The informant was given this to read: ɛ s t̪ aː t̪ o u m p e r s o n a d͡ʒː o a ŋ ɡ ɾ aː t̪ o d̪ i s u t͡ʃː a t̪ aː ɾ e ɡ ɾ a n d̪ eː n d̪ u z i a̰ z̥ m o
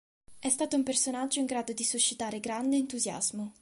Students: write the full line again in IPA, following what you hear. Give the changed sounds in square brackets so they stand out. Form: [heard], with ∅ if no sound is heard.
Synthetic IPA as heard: ɛ s t̪ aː t̪ o u m p e r s o n a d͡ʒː o [i] ŋ ɡ ɾ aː [d̪] o d̪ i s u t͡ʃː [i] t̪ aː ɾ e ɡ ɾ a n d̪ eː n [t̪] u z [j] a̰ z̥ m o